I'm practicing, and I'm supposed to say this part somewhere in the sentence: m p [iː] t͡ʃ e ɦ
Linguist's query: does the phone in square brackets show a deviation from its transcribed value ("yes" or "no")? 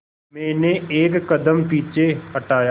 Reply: no